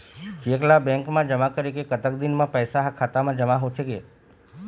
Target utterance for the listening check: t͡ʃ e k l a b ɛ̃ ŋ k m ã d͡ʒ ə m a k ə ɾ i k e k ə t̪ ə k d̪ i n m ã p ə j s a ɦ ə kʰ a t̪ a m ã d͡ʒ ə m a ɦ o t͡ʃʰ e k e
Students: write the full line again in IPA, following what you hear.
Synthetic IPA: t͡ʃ e k l a b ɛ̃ ŋ k m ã d͡ʒ ə m a k ə ɾ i k e k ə t̪ ə k d̪ i n m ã p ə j s a ɦ a kʰ a t̪ a m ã d͡ʒ ə m a ɦ o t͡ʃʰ e k e